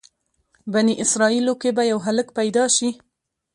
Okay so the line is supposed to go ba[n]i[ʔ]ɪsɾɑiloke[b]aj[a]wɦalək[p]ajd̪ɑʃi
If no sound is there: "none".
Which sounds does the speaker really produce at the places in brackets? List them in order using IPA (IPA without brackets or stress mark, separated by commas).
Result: n, ʔ, b, a, p